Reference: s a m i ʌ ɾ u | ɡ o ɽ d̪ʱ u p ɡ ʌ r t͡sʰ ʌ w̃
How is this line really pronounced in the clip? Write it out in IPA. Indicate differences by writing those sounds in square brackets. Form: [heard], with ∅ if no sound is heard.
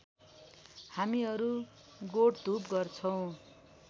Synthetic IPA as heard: [h] a m i ʌ ɾ u | ɡ o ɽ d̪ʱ u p ɡ ʌ r t͡sʰ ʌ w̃